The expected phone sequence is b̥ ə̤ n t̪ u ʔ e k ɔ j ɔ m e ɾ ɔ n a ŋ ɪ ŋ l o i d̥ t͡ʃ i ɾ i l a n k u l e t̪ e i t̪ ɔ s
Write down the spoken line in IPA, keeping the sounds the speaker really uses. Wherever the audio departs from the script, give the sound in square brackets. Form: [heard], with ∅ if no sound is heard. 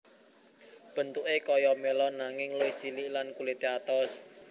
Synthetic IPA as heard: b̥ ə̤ n t̪ u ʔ e k ɔ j ɔ m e [l] ɔ n a ŋ ɪ ŋ l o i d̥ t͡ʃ i [l] i l a n k u l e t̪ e [a] t̪ ɔ s